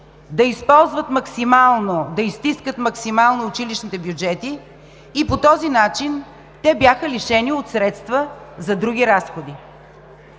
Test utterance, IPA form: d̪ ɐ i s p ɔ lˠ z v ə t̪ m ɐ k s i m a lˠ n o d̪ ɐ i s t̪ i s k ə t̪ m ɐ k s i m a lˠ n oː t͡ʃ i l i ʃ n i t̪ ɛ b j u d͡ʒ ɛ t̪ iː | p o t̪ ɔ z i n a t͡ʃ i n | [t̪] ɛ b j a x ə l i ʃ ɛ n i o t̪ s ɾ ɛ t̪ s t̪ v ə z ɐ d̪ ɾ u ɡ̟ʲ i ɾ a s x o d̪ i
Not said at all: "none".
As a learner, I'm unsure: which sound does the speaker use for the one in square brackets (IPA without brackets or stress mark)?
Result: t̪